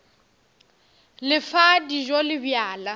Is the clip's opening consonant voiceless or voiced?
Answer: voiced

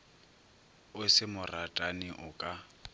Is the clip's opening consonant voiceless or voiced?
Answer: voiceless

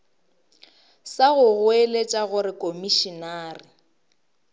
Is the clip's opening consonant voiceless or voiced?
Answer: voiceless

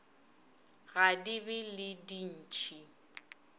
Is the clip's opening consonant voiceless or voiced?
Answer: voiced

